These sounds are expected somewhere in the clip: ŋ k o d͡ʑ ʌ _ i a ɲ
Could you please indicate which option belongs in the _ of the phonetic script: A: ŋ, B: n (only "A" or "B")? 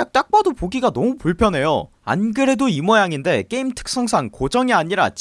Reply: A